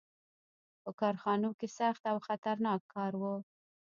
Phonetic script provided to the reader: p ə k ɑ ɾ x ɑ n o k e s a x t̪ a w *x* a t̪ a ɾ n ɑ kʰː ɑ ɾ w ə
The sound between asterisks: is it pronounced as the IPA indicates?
yes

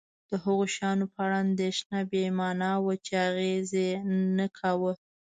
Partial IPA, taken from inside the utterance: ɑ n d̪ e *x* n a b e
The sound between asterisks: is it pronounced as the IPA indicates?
no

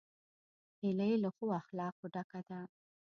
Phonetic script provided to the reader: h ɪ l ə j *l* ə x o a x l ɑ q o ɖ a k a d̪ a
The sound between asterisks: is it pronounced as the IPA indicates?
yes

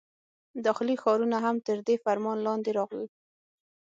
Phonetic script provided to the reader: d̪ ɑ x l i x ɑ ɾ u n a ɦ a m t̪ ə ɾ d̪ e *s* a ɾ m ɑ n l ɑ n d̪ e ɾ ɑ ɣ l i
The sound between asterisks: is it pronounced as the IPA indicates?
no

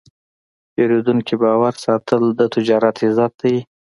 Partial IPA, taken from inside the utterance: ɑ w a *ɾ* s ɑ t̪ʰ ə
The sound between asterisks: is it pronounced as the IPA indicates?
yes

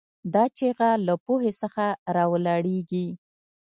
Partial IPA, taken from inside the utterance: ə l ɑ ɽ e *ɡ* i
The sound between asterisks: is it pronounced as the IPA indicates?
yes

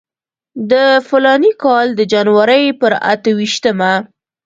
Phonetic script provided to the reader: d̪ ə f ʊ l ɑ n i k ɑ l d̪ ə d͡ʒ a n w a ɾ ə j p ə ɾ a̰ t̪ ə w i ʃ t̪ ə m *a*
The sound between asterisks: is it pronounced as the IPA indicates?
yes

